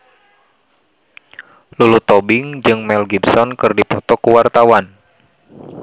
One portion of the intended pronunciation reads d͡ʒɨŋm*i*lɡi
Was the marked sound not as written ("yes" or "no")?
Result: yes